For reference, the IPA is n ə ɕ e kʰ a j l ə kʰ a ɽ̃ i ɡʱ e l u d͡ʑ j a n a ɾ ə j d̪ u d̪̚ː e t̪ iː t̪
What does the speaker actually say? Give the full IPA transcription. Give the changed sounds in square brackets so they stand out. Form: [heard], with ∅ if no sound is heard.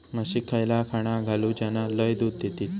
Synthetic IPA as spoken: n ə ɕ [i] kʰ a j l [a] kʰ a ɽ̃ [a] ɡʱ [a] l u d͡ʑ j a n a [l] ə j d̪ u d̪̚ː e t̪ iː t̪